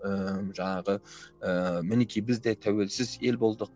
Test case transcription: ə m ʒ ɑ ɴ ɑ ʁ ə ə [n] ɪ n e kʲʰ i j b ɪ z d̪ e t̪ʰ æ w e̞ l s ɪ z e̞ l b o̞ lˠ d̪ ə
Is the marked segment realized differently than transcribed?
yes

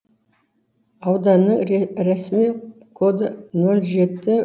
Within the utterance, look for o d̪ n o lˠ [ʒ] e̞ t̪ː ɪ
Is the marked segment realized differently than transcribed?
no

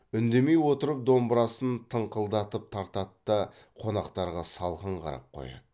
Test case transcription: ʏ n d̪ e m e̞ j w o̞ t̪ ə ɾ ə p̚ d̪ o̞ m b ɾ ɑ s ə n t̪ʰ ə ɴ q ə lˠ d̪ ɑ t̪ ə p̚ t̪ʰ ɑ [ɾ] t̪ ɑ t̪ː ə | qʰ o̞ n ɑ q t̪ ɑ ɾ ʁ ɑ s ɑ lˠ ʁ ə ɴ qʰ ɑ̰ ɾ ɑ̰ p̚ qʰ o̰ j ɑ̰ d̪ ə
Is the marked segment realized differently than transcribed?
no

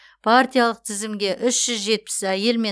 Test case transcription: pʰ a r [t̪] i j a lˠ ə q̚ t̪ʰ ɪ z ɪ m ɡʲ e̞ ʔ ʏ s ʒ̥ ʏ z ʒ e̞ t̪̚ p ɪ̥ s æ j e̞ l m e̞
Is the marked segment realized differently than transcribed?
no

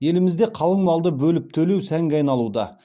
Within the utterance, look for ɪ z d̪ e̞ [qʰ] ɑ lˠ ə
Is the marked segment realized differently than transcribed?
no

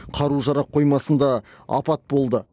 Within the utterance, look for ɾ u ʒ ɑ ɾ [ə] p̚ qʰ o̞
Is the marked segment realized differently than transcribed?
yes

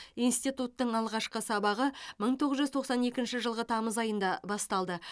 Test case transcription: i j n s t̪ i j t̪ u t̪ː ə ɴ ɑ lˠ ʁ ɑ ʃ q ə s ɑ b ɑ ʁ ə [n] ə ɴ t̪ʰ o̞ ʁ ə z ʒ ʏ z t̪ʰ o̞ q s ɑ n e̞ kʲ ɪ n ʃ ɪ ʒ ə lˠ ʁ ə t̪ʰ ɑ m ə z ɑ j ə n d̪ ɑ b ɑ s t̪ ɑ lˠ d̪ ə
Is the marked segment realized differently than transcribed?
yes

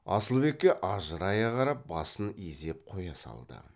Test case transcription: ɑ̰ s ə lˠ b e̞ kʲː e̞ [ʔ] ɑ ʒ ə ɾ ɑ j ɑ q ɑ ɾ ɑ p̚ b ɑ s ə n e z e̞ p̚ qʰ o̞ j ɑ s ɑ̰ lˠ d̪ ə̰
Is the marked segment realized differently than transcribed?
no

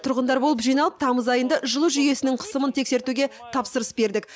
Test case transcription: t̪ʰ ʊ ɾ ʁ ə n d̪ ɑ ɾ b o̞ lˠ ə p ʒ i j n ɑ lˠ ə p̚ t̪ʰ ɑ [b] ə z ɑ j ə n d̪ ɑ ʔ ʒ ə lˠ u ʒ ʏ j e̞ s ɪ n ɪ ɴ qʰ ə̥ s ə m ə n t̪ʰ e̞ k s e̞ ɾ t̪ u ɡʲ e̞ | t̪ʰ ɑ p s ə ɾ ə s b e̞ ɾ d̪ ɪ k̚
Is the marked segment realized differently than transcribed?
yes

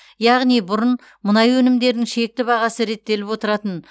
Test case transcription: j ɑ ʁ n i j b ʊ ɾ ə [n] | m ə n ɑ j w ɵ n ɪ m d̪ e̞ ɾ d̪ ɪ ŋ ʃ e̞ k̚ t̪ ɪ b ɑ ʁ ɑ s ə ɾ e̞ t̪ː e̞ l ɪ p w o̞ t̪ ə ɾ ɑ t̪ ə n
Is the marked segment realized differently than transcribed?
no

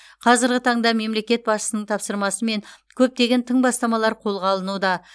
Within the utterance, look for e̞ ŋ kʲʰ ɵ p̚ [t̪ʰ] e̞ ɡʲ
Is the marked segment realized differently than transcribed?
yes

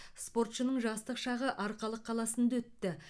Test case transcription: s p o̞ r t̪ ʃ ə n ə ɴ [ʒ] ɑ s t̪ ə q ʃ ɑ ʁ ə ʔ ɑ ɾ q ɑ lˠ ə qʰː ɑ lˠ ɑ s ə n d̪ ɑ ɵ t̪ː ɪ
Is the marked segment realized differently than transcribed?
no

